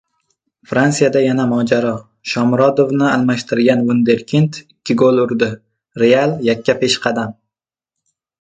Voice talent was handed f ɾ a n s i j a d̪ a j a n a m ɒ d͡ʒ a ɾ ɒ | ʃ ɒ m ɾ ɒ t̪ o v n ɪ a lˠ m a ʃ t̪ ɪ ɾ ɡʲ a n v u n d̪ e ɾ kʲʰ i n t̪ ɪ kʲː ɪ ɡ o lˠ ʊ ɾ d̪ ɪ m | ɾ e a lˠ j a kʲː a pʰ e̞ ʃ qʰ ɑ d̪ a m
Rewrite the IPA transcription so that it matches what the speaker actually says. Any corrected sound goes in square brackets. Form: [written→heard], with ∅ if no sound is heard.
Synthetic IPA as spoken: f ɾ a n s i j a d̪ a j a n a m ɒ d͡ʒ a ɾ ɒ | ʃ ɒ m ɾ ɒ [t̪→d̪] o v n ɪ a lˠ m a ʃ t̪ ɪ ɾ ɡʲ a n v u n d̪ e ɾ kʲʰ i n t̪ ɪ kʲː ɪ ɡ o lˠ ʊ ɾ d̪ ɪ [m→∅] | ɾ e a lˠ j a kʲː a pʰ e̞ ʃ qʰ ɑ d̪ a m